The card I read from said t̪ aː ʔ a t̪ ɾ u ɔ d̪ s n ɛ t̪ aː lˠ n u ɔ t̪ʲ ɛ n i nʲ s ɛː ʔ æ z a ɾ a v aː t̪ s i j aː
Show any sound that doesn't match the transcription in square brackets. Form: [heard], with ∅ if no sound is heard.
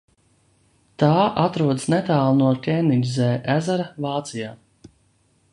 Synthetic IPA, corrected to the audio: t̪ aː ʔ a t̪ ɾ u ɔ d̪ s n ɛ t̪ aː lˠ n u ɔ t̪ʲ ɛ n i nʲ [z] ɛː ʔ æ z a ɾ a v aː t̪ s i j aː